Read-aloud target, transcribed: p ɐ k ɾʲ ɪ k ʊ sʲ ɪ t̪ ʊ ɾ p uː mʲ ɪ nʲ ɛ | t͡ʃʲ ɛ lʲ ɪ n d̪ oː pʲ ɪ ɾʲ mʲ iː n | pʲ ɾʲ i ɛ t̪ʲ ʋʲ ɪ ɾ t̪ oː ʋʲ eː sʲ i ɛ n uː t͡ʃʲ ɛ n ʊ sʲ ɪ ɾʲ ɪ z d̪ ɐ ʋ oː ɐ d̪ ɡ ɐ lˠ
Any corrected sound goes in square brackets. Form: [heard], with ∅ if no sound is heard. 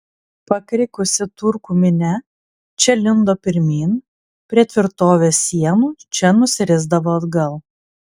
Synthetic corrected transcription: p ɐ k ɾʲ ɪ k ʊ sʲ ɪ t̪ ʊ ɾ [k] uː mʲ ɪ nʲ ɛ | t͡ʃʲ ɛ lʲ ɪ n d̪ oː pʲ ɪ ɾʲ mʲ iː n | pʲ ɾʲ i ɛ t̪ʲ ʋʲ ɪ ɾ t̪ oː ʋʲ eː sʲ i ɛ n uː t͡ʃʲ ɛ n ʊ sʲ ɪ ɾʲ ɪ z d̪ ɐ ʋ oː ɐ d̪ ɡ ɐ lˠ

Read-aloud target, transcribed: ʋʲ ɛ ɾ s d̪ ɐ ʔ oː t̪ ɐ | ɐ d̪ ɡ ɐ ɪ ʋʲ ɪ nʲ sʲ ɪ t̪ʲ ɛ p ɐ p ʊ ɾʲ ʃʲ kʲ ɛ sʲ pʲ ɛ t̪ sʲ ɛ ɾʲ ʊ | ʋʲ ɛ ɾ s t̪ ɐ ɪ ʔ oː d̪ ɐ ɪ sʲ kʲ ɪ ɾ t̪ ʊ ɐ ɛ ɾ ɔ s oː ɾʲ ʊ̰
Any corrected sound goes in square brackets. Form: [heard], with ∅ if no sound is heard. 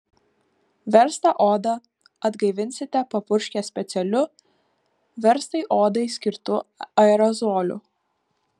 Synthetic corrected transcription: ʋʲ ɛ ɾ s [t̪] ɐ ʔ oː [d̪] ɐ | ɐ d̪ ɡ ɐ ɪ ʋʲ ɪ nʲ sʲ ɪ t̪ʲ ɛ p ɐ p ʊ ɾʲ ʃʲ kʲ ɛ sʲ pʲ ɛ t̪ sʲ ɛ [lʲ] ʊ | ʋʲ ɛ ɾ s t̪ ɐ ɪ ʔ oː d̪ ɐ ɪ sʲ kʲ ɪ ɾ t̪ ʊ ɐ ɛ ɾ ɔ [z] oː [lʲ] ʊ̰

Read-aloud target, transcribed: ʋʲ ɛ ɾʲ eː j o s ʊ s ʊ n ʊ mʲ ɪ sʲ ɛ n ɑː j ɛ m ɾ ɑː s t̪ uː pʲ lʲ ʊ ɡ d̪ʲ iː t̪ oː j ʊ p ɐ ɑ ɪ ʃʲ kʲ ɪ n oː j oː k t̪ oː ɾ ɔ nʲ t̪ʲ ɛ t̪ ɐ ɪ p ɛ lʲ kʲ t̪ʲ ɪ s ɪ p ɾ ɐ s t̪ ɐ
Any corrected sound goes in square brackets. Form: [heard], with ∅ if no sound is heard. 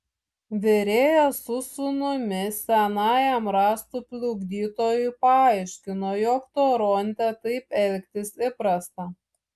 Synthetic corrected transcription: ʋʲ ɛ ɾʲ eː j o s ʊ s ʊ n ʊ mʲ ɪ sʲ ɛ n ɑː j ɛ m ɾ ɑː s t̪ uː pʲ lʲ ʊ ɡ d̪ʲ iː t̪ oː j ʊ p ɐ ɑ ɪ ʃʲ kʲ ɪ n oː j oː k t̪ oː ɾ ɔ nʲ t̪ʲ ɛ t̪ ɐ ɪ p ɛ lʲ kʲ t̪ʲ ɪ s ɪ p ɾ ɐ s t̪ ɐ

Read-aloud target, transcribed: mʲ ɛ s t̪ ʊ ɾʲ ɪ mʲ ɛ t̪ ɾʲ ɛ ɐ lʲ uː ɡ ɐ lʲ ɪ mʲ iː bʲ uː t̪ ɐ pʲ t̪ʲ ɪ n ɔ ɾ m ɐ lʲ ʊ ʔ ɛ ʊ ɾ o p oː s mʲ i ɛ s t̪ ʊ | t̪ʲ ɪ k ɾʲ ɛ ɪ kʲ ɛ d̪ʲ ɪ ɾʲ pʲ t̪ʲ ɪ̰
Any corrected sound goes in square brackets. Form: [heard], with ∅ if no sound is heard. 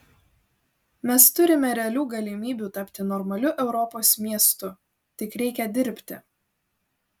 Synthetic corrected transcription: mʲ ɛ s t̪ ʊ ɾʲ ɪ mʲ ɛ [∅] ɾʲ ɛ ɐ lʲ uː ɡ ɐ lʲ ɪ mʲ iː bʲ uː t̪ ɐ pʲ t̪ʲ ɪ n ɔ ɾ m ɐ lʲ ʊ ʔ ɛ ʊ ɾ [ɔ] p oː s mʲ i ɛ s t̪ ʊ | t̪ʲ ɪ k ɾʲ ɛ ɪ kʲ ɛ d̪ʲ ɪ ɾʲ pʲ t̪ʲ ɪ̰

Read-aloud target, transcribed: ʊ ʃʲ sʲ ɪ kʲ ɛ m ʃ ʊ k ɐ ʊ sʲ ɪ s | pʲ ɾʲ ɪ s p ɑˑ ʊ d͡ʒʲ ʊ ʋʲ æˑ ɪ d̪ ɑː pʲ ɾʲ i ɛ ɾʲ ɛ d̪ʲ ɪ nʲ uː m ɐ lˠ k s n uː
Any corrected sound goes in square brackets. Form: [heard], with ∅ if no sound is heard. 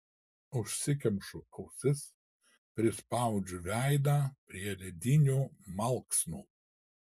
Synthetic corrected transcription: ʊ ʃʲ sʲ ɪ kʲ ɛ m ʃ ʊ k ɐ ʊ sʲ ɪ s | pʲ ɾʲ ɪ s p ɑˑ ʊ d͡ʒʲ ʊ ʋʲ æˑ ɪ d̪ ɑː pʲ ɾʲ i ɛ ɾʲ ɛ d̪ʲ ɪ nʲ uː m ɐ lˠ k s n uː

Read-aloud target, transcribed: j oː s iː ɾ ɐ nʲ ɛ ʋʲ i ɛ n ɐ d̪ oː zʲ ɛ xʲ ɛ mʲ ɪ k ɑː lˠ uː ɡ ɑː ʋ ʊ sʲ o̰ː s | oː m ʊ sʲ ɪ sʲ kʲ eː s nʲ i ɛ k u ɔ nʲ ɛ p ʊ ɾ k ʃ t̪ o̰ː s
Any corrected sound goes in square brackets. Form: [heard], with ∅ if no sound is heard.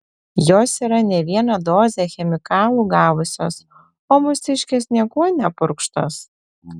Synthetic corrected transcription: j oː s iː ɾ ɐ nʲ ɛ ʋʲ i ɛ n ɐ d̪ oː zʲ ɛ xʲ ɛ mʲ ɪ k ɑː lˠ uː ɡ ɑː ʋ ʊ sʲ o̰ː s | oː m ʊ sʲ ɪ [ʃʲ] kʲ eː s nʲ i ɛ k u ɔ nʲ ɛ p ʊ ɾ k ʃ t̪ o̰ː s

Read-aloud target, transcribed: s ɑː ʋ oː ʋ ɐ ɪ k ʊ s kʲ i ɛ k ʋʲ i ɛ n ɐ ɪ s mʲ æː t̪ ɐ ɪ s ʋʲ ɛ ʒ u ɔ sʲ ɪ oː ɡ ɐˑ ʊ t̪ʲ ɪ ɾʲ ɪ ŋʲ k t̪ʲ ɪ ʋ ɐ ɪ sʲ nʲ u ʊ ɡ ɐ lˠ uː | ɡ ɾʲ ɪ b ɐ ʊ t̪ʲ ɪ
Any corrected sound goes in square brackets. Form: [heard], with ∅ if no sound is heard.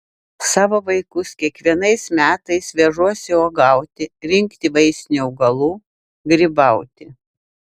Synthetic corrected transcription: s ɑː ʋ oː ʋ ɐ ɪ k ʊ s kʲ i ɛ k ʋʲ i ɛ n ɐ ɪ s mʲ æː t̪ ɐ ɪ s ʋʲ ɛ ʒ u ɔ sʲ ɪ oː ɡ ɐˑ ʊ t̪ʲ ɪ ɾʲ ɪ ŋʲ k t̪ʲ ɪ ʋ ɐ ɪ sʲ nʲ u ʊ ɡ ɐ lˠ uː | ɡ ɾʲ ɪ b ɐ ʊ t̪ʲ ɪ

